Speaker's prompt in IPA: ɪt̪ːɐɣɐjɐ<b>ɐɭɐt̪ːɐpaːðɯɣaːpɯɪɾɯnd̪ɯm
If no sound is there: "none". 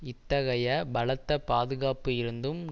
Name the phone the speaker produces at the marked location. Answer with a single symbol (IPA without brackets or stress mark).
b